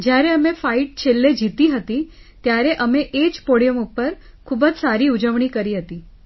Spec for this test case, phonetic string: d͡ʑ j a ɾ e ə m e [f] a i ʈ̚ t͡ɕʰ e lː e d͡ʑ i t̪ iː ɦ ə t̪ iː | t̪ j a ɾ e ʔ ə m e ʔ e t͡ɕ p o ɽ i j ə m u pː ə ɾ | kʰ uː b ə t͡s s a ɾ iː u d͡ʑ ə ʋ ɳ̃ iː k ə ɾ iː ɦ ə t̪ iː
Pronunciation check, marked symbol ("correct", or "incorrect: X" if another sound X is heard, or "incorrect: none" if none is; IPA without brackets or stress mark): correct